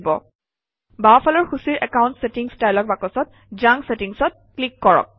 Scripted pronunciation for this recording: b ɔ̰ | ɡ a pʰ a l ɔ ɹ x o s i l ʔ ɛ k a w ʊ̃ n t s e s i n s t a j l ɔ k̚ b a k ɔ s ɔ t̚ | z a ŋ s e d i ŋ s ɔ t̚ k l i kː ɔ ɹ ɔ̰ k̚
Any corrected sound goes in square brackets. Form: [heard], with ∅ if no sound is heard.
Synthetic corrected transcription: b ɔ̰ | [b] a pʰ a l ɔ ɹ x [u] s i [ɹ] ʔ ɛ k a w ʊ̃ n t s e [t] i [ŋ] s t a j l ɔ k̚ b a k ɔ s ɔ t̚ | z a ŋ s e [t] i ŋ s ɔ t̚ k l i kː ɔ ɹ ɔ̰ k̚